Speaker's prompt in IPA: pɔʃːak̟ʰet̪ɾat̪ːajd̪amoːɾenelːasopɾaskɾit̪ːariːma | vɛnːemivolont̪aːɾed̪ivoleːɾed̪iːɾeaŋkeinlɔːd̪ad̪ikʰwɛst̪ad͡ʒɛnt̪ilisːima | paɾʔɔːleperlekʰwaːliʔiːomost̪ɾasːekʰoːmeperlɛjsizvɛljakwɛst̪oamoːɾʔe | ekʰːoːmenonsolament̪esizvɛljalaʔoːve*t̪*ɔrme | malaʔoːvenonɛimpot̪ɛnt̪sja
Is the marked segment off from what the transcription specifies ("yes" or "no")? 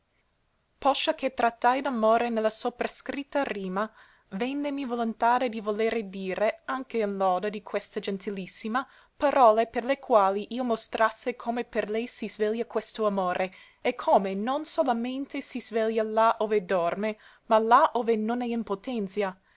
yes